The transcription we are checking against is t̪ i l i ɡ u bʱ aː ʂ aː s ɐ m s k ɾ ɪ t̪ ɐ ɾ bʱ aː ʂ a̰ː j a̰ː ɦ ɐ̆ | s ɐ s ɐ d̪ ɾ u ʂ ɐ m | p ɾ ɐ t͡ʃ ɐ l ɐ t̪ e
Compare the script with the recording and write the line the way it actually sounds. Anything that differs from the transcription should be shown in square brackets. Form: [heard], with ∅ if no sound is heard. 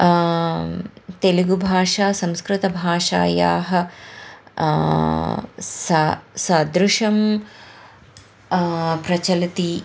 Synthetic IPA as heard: t̪ [e] l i ɡ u bʱ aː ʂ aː s ɐ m s k ɾ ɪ t̪ ɐ [∅] bʱ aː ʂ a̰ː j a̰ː ɦ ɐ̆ | s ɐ s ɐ d̪ ɾ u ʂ ɐ m | p ɾ ɐ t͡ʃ ɐ l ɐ t̪ [i]